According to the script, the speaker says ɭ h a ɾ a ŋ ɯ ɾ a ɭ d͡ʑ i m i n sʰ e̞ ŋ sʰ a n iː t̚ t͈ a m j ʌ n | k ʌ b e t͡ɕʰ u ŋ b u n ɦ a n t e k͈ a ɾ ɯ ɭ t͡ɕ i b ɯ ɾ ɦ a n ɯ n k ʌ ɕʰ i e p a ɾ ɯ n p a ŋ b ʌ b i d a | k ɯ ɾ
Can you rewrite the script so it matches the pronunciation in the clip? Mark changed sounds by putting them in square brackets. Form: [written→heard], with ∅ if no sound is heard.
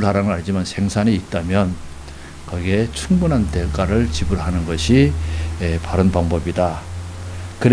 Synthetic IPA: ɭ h a ɾ a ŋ ɯ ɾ a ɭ d͡ʑ i m [i→a] n sʰ e̞ ŋ sʰ a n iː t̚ t͈ a m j ʌ n | k ʌ [b→ɡ] e t͡ɕʰ u ŋ b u n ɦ a n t e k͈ a ɾ ɯ ɭ t͡ɕ i b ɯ [ɾ→ɭ] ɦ a n ɯ n [k→ɡ] ʌ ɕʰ i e p a ɾ ɯ n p a ŋ b ʌ b i d a | k ɯ ɾ